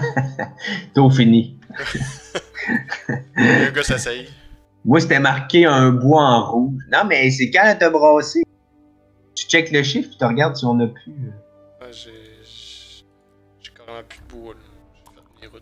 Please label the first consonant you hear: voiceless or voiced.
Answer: voiceless